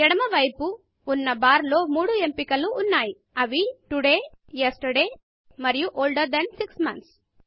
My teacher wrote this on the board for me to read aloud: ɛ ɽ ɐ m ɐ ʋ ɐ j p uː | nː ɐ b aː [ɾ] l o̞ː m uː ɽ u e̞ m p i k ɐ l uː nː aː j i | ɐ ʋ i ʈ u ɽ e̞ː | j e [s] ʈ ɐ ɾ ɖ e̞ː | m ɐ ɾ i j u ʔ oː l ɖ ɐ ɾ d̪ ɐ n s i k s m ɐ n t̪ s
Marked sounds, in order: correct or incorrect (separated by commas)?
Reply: correct, correct